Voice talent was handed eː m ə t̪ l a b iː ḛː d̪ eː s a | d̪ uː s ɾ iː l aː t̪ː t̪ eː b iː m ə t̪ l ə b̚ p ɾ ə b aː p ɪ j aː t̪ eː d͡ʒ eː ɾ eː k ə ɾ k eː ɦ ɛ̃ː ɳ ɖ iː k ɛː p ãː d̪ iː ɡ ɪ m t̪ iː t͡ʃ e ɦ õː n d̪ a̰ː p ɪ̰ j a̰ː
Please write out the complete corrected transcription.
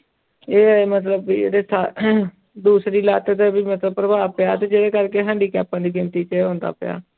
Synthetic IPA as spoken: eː m ə t̪ l ə b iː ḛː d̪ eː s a | d̪ uː s ɾ iː l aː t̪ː t̪ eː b iː m ə t̪ l ə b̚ p ɾ ə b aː p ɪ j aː t̪ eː d͡ʒ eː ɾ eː k ə ɾ k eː ɦ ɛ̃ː ɳ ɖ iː k ɛː p ãː d̪ iː ɡ ɪ m t̪ iː t͡ʃ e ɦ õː n d̪ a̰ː p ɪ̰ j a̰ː